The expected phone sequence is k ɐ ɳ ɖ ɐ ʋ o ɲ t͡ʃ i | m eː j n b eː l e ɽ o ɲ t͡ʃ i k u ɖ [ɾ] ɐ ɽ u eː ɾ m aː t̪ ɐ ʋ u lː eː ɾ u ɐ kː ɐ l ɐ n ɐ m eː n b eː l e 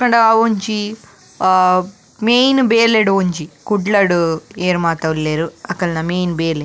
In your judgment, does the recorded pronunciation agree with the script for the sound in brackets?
no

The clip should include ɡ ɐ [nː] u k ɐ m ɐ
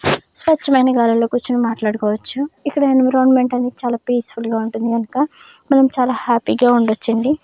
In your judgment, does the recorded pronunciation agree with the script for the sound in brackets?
no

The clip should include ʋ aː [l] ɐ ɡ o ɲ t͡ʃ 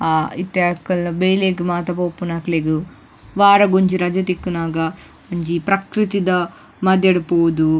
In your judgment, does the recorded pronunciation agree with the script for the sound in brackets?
no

